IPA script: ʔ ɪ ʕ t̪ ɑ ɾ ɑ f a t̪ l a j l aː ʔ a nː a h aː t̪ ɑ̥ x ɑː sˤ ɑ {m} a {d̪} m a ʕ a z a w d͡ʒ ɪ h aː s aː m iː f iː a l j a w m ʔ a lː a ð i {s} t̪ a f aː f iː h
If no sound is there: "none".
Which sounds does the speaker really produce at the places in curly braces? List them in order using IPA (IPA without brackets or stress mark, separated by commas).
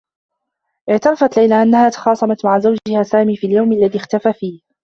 m, t̪, x